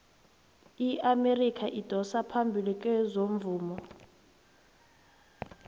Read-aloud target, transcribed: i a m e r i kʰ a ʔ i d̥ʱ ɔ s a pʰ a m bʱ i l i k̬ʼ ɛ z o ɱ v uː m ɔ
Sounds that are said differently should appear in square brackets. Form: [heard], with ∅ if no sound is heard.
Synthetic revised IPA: i a m e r i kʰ a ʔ i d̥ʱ ɔ s a pʰ a m bʱ i l i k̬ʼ ɛ z o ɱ v uː m ɔ